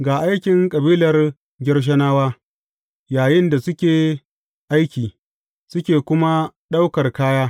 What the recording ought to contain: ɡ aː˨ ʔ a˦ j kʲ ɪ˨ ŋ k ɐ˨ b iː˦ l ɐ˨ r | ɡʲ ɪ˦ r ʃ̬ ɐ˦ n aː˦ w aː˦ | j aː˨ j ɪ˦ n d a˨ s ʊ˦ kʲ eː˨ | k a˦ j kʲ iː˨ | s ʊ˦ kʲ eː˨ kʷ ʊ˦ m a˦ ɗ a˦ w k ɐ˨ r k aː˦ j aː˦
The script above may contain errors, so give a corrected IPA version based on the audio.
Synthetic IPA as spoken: ɡ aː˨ ʔ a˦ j kʲ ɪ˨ ŋ kʼ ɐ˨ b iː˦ l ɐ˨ r | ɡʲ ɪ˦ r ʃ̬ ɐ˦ n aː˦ w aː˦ | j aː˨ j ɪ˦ n d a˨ s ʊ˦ kʲ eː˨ | ʔ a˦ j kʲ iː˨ | s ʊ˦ kʲ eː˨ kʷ ʊ˦ m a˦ ɗ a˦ w k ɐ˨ r k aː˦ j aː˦